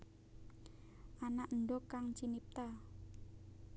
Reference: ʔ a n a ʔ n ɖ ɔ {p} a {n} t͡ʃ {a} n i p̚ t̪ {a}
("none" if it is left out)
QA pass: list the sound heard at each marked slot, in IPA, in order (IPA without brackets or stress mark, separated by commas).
k, ŋ, i, a